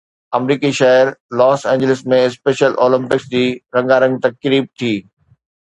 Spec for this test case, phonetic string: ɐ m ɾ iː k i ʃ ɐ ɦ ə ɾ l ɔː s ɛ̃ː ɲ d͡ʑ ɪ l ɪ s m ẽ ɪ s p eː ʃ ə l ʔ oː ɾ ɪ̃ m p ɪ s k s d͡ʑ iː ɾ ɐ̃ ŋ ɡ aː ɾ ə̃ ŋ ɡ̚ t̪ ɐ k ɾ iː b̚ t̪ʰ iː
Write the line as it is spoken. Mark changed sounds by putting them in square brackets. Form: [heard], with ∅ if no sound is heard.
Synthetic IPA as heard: ɐ m ɾ iː k i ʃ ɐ ɦ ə ɾ l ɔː s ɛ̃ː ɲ d͡ʑ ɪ l ɪ s m ẽ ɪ s p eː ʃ ə l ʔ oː [l] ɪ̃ m p ɪ [∅] k s d͡ʑ iː ɾ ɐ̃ ŋ ɡ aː ɾ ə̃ ŋ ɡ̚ t̪ ɐ k ɾ iː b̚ t̪ʰ iː